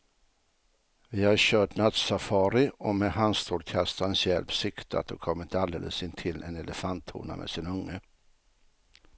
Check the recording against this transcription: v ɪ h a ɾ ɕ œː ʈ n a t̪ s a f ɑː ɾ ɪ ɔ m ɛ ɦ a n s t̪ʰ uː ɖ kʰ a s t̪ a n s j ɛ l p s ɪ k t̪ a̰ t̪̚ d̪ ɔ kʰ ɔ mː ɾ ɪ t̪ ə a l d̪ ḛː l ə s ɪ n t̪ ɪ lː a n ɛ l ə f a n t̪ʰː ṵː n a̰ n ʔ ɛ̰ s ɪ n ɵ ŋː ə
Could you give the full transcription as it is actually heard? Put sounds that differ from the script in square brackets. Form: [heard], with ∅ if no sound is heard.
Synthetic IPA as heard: v ɪ h a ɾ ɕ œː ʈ n a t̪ s a f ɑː ɾ ɪ ɔ m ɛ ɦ a n s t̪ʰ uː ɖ kʰ a s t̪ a n s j ɛ l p s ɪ k t̪ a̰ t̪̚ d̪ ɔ kʰ ɔ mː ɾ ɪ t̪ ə a l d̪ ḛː l ə s ɪ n [t̪ʰ] ɪ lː [ɛ] n ɛ l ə f a n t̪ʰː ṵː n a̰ [m] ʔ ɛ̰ s ɪ n ɵ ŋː ə